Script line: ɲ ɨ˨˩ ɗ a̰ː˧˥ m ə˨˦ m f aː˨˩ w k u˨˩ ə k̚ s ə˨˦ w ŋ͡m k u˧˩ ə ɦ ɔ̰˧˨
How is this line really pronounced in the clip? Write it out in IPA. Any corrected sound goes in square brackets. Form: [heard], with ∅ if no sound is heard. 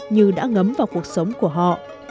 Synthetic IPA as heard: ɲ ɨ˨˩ ɗ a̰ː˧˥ [ŋ] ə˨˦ m [v] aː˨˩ w k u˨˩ ə k̚ s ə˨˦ w ŋ͡m k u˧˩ ə ɦ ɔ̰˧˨